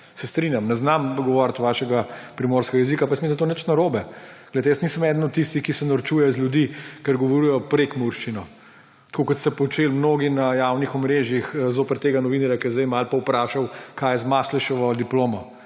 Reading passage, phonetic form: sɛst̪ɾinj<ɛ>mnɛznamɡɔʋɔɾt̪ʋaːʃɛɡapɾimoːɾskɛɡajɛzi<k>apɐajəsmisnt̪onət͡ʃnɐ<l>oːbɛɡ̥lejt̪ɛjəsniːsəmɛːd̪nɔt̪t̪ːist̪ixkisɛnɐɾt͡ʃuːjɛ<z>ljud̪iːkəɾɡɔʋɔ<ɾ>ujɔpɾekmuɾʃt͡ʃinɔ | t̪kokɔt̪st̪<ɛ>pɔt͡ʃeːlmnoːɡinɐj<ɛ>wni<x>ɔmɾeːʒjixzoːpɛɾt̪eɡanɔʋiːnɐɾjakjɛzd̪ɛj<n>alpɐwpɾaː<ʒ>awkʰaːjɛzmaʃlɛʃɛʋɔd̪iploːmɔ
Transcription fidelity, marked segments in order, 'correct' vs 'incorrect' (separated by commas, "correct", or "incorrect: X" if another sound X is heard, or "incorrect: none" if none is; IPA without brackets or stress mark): incorrect: a, correct, incorrect: ɾ, correct, correct, correct, incorrect: a, correct, incorrect: m, incorrect: ʃ